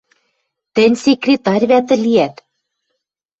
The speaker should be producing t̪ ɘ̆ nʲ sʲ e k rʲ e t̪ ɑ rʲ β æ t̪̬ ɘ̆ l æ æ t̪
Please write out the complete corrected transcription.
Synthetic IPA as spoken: t̪ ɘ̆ nʲ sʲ e k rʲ e t̪ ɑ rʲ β æ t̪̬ ɘ̆ l i æ t̪